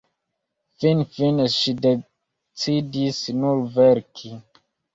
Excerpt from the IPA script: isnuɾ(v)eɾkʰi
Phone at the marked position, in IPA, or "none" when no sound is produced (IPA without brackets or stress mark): v